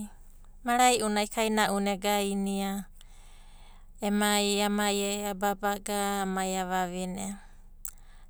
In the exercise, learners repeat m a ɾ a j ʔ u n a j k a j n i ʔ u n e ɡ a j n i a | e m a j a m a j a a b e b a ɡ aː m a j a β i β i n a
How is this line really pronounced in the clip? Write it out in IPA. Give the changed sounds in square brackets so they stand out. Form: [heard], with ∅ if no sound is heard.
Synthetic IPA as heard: m a ɾ a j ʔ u n a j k a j n [a] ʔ u n e ɡ a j n i a | e m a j a m a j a a b [a] b a ɡ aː m a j a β [a] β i n [e]